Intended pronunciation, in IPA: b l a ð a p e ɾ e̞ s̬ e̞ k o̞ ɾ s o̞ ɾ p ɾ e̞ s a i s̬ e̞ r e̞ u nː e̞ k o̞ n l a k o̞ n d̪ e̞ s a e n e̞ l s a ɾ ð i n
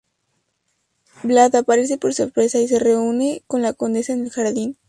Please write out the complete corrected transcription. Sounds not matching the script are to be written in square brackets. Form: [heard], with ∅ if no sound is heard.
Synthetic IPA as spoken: b l a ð a p [a] ɾ e̞ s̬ e̞ [p] o̞ ɾ s o̞ ɾ p ɾ e̞ s a i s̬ e̞ r e̞ u [n] e̞ k o̞ n l a k o̞ n d̪ e̞ s a e n e̞ l [x] a ɾ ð i n

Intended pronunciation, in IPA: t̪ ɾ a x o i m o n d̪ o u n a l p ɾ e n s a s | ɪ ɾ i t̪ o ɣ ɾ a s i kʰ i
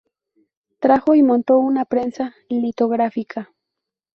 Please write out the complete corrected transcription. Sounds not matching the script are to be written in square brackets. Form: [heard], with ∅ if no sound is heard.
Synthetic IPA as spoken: t̪ ɾ a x o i m o n [t̪] o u n a [∅] p ɾ e n s a [∅] | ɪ [l] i t̪ o ɣ ɾ a [f] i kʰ [a]

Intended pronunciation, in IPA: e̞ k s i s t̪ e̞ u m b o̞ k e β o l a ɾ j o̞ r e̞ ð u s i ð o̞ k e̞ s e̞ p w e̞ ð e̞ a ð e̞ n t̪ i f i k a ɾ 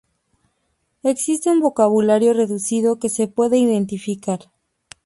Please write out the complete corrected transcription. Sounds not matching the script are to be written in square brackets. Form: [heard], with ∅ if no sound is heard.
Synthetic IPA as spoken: e̞ k s i s t̪ e̞ u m b o̞ k [a] β [u] l a ɾ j o̞ r e̞ ð u s i ð o̞ k e̞ s e̞ p w e̞ ð e̞ [i] ð e̞ n t̪ i f i k a ɾ

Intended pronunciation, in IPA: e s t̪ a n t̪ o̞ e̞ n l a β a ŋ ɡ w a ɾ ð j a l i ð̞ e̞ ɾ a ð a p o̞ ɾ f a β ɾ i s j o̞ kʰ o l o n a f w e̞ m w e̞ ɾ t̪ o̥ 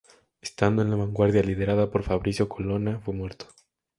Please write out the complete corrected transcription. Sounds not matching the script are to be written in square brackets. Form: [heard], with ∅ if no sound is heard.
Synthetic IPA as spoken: e s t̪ a n [d̪] o̞ e̞ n l a β a ŋ ɡ w a ɾ ð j a l i ð̞ e̞ ɾ a ð a p o̞ ɾ f a β ɾ i s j o̞ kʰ o l o n a f w e̞ m w e̞ ɾ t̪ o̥

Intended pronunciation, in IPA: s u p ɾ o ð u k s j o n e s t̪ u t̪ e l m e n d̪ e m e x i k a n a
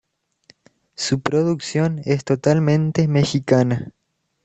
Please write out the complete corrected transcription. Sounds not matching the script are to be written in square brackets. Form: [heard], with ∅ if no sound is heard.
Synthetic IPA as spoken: s u p ɾ o ð u k s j o n e s t̪ [o] t̪ [a] l m [ẽ] n [t̪] e m e x i k a n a

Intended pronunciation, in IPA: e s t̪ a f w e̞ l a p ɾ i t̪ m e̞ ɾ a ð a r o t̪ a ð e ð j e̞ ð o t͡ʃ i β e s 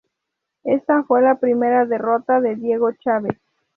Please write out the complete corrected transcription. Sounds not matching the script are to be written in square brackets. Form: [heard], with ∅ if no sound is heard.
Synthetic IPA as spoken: e s t̪ a f w e̞ l a p ɾ i [∅] m e̞ ɾ a ð [e] r o t̪ a ð e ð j e̞ [ɣ] o t͡ʃ [a] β e s

